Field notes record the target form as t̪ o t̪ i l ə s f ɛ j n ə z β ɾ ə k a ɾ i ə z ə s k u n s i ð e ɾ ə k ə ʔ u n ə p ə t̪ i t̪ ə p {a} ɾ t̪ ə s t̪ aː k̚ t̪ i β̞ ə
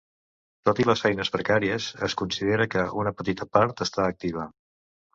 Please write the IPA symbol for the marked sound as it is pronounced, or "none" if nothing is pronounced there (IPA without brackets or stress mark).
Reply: a